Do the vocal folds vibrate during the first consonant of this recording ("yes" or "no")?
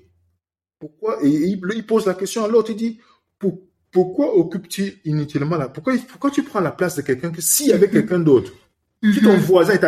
no